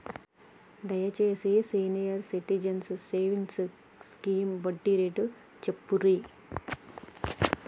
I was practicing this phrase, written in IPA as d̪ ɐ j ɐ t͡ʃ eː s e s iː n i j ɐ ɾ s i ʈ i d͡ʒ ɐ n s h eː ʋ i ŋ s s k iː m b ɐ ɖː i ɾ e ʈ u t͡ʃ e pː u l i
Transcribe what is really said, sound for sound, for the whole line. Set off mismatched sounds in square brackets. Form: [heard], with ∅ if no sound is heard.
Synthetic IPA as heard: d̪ ɐ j ɐ t͡ʃ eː s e s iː n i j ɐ ɾ s i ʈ i d͡ʒ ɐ n s [s] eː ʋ i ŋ s s k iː m b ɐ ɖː i ɾ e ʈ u t͡ʃ e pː u [ɾ] i